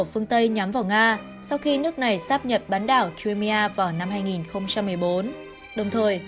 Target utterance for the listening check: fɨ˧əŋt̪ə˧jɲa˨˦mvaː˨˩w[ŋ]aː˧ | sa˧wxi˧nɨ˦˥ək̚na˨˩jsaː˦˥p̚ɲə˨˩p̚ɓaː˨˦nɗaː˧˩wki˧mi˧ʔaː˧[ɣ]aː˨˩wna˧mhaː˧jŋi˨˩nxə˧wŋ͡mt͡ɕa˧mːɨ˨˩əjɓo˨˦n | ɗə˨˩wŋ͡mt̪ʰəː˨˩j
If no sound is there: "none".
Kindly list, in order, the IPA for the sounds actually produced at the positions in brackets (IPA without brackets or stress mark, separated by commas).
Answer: ŋ, v